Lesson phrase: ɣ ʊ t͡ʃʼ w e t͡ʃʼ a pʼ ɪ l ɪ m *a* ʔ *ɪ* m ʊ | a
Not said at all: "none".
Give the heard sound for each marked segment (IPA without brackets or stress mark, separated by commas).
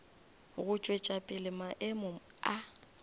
a, ɪ